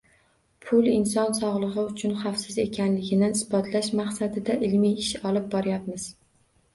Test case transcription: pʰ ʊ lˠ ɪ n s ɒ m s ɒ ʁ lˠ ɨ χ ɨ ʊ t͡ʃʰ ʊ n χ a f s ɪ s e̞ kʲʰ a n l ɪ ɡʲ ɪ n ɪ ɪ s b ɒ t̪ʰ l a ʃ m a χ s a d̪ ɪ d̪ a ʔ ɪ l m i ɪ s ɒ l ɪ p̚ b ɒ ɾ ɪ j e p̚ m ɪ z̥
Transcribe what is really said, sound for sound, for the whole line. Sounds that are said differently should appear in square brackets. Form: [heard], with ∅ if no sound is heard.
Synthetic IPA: pʰ ʊ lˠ ɪ n s ɒ [n] s ɒ ʁ lˠ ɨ [ʁ] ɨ ʊ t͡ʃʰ ʊ n χ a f s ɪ [z] e̞ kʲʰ a n l ɪ ɡʲ ɪ n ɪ ɪ s b ɒ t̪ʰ l a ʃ m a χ s a d̪ ɪ d̪ a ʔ ɪ l m i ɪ [ʃ] ɒ l ɪ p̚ b ɒ ɾ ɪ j [a] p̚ m ɪ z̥